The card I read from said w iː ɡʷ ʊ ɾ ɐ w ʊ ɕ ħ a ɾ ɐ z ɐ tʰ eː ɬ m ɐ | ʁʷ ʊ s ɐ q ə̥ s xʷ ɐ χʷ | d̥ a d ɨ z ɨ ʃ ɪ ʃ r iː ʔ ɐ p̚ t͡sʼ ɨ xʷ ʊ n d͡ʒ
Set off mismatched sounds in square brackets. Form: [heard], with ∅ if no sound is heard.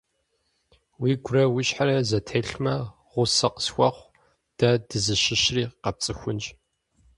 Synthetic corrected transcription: w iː ɡʷ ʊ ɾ ɐ w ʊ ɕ ħ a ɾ ɐ z ɐ tʰ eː ɬ m ɐ | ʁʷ ʊ s ɐ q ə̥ s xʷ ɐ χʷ | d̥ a d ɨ z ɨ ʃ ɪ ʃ r iː [q] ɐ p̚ t͡sʼ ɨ xʷ ʊ n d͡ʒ